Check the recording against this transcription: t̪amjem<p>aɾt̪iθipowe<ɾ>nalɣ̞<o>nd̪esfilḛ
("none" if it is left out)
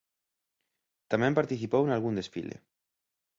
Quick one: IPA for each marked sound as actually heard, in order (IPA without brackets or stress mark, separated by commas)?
p, none, u